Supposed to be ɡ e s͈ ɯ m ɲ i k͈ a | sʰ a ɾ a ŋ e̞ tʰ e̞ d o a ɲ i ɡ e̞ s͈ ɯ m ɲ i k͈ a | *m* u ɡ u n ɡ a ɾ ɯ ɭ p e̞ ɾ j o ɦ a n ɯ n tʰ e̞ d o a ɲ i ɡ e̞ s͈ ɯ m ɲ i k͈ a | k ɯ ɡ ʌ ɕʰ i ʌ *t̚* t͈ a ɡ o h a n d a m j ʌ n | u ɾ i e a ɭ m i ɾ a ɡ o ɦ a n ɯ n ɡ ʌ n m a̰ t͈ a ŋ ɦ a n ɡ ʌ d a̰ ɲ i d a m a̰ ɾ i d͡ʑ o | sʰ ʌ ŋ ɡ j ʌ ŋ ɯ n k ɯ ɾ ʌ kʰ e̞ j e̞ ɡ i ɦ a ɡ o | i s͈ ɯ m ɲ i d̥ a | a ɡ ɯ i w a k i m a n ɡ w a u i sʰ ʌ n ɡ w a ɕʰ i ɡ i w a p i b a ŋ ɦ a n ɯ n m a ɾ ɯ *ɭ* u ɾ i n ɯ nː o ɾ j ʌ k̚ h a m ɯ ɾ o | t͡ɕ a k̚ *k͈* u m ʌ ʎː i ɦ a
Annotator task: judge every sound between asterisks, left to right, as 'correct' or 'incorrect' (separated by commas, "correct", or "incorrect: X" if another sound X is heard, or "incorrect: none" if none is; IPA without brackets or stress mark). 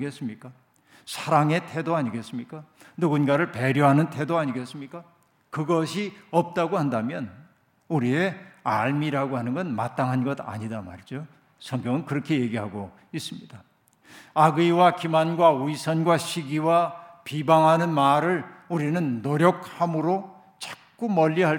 incorrect: n, incorrect: p̚, correct, correct